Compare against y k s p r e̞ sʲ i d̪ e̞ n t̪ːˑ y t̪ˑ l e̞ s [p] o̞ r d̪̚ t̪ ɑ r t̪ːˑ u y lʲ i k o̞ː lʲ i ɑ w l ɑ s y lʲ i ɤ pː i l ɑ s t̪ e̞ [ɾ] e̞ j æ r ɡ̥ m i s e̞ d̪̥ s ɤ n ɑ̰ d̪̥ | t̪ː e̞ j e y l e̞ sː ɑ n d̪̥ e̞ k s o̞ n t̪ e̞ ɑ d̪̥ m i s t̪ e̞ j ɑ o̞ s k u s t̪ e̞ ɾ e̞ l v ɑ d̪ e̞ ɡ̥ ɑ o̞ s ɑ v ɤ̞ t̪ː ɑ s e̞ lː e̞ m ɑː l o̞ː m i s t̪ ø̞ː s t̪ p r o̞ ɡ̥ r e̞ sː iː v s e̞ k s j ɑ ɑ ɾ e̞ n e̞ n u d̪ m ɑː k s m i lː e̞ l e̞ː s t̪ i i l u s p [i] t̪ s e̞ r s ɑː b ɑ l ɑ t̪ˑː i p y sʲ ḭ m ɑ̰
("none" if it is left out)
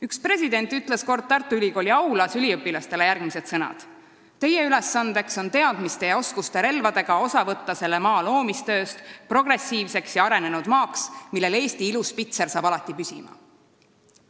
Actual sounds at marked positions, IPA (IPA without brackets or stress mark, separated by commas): k, l, i